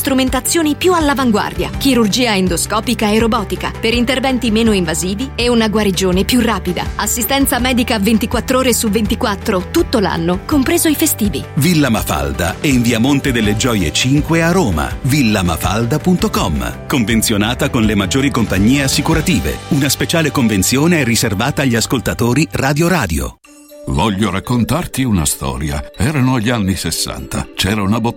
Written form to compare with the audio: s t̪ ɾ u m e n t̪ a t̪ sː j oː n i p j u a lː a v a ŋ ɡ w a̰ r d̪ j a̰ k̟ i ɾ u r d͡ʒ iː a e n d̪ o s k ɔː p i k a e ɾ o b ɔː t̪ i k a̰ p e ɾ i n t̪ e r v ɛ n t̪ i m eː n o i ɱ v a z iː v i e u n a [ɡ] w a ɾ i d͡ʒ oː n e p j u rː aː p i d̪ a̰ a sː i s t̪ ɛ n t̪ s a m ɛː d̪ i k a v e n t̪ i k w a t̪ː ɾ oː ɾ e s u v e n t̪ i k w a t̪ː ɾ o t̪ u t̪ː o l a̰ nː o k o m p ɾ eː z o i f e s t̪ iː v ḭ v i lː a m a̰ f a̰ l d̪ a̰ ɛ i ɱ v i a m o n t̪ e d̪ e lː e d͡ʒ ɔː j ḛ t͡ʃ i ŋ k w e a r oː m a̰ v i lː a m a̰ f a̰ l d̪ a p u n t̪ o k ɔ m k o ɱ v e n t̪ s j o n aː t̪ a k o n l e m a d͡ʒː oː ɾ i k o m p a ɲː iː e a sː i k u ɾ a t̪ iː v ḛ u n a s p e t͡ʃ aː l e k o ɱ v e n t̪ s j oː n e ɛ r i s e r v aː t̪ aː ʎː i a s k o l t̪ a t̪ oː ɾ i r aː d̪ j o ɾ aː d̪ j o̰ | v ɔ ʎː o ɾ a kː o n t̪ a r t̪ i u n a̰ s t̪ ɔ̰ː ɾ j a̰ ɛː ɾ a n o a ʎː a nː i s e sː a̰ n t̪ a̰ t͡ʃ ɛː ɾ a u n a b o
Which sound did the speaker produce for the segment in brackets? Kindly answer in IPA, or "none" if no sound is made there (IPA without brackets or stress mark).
ɡ